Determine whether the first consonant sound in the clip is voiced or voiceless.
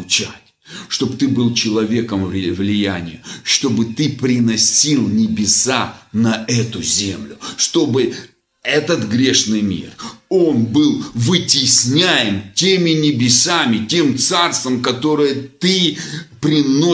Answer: voiceless